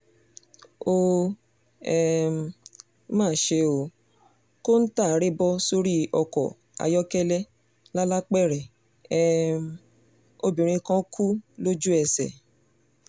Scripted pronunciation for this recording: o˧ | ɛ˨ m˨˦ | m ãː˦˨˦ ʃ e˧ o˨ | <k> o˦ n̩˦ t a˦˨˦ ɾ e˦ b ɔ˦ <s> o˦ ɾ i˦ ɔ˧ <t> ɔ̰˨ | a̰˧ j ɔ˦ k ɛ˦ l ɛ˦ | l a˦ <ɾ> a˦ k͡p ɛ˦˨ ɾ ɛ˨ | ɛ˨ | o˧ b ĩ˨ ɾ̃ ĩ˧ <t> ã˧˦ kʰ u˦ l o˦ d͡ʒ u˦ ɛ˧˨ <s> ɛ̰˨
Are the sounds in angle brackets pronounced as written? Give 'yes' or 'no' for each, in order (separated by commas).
yes, yes, no, no, no, yes